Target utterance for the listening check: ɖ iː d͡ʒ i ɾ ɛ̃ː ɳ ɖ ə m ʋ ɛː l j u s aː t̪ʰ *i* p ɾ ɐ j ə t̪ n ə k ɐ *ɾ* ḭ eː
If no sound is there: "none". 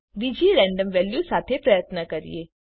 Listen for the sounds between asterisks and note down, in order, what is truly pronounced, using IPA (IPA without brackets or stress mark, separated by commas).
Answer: e, ɾ